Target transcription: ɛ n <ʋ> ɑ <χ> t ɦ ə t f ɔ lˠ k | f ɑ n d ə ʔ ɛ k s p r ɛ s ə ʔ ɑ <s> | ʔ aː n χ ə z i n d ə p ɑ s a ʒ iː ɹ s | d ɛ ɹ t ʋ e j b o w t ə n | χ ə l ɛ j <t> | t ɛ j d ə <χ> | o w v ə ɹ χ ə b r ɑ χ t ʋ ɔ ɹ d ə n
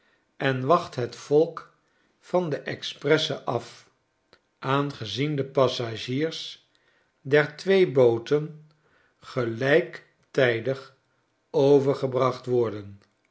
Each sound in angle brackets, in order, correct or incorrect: correct, correct, incorrect: f, incorrect: k, correct

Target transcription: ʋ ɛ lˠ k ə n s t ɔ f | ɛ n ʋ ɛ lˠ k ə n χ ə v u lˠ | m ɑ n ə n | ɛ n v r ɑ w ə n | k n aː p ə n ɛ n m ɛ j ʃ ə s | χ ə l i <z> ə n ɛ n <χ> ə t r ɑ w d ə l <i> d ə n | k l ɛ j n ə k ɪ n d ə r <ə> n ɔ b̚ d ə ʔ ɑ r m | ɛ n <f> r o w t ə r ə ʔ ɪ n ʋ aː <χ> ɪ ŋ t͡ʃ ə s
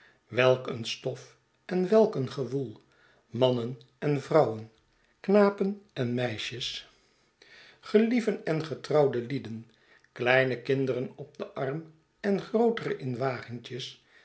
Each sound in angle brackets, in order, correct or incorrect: incorrect: v, correct, correct, correct, incorrect: χ, correct

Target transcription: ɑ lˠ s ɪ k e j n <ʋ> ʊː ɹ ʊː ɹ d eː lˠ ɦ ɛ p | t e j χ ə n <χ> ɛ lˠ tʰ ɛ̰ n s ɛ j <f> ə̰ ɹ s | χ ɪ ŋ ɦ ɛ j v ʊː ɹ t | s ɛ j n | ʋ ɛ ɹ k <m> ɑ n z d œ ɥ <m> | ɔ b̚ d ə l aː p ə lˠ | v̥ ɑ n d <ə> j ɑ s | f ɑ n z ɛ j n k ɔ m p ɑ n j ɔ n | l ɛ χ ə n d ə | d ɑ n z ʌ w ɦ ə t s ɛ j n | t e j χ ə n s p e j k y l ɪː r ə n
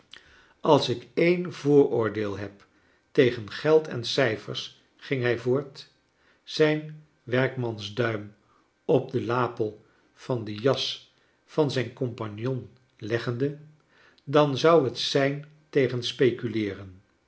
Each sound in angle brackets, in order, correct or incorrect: incorrect: v, correct, correct, correct, correct, correct

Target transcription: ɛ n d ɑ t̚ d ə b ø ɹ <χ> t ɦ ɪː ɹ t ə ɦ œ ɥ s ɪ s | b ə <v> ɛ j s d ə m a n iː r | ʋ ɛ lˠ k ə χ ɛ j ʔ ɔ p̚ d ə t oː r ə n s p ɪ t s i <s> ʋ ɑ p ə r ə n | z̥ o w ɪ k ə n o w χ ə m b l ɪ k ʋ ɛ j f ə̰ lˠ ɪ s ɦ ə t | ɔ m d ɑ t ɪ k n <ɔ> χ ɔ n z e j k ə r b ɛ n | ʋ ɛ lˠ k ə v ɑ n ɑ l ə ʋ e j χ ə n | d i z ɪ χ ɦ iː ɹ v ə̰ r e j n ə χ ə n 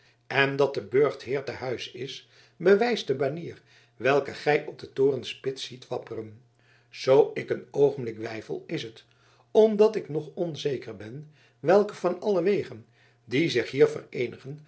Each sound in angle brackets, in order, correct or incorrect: correct, incorrect: ʋ, incorrect: t, correct

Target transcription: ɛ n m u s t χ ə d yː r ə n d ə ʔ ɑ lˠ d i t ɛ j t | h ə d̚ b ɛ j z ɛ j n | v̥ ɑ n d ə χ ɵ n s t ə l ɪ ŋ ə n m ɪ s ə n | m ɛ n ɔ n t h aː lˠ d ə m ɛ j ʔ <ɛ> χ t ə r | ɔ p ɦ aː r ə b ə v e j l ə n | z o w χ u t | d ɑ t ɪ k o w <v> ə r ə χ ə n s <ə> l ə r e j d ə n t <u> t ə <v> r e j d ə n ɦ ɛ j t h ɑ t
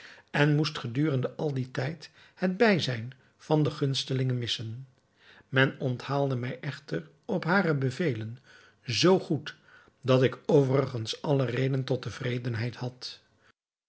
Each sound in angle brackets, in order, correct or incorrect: correct, correct, incorrect: ɑ, incorrect: ɔ, correct

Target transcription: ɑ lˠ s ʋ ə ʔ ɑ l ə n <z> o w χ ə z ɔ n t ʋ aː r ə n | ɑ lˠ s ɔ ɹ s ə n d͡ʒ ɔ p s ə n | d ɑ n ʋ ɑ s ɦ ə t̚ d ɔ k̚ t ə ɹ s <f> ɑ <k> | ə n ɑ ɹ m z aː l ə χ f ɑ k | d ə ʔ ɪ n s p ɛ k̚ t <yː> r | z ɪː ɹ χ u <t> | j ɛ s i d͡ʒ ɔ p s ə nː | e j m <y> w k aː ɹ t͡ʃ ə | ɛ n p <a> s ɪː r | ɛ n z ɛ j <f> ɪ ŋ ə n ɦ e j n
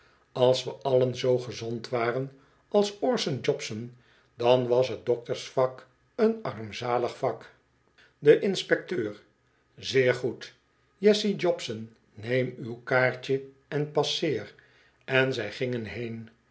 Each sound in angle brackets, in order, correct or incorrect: correct, correct, correct, incorrect: øː, correct, correct, incorrect: ɑ, incorrect: χ

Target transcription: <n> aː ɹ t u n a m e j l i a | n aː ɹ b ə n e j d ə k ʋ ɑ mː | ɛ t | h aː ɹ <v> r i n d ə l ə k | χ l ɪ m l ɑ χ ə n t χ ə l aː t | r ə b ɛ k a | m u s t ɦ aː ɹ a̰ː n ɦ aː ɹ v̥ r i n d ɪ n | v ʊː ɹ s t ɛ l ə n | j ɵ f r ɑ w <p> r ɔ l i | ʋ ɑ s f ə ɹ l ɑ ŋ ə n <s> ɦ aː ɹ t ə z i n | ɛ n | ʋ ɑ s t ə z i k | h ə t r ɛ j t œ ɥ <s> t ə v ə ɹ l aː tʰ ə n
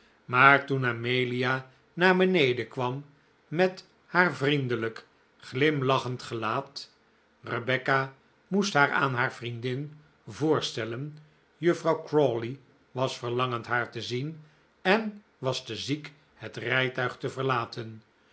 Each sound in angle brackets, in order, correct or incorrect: incorrect: m, correct, incorrect: k, incorrect: t, incorrect: χ

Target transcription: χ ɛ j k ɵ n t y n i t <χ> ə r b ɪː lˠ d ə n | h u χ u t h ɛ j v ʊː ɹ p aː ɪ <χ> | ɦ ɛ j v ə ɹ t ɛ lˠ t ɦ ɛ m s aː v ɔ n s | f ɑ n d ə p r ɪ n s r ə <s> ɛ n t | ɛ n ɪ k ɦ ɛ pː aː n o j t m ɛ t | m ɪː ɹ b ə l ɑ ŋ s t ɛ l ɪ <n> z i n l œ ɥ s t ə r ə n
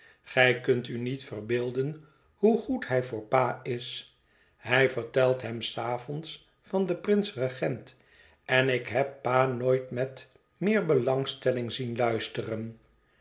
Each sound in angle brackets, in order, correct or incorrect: incorrect: f, incorrect: s, incorrect: χ, incorrect: ŋ

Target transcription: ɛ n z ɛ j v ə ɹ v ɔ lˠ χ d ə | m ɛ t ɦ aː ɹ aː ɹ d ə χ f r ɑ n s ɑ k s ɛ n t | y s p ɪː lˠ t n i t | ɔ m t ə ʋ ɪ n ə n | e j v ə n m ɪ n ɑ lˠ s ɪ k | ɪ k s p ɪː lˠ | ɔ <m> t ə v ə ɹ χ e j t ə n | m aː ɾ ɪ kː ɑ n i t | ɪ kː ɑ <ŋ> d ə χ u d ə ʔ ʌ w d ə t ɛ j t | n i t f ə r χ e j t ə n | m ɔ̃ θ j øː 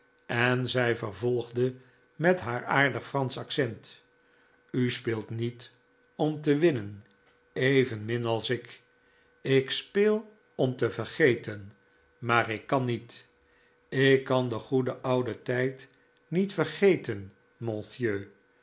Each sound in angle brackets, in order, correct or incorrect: correct, incorrect: n

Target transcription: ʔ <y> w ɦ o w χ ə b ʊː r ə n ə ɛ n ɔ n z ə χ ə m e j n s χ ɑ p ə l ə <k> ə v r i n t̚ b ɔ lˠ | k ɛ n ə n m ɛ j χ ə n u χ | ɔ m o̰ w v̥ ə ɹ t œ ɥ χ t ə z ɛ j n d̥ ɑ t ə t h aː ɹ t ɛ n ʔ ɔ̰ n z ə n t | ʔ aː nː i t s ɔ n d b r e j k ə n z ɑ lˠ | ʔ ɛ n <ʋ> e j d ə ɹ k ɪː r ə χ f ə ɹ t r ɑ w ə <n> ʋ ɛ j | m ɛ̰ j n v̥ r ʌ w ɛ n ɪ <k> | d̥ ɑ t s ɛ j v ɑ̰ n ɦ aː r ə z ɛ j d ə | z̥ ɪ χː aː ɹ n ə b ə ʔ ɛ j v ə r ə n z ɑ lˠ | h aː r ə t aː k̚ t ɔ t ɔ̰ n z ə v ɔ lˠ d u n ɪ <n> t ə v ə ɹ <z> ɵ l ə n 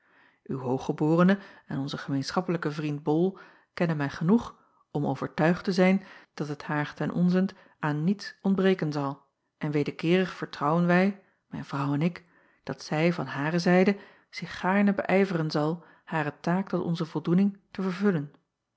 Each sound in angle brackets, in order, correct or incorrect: correct, correct, correct, correct, correct, incorrect: ŋ, incorrect: v

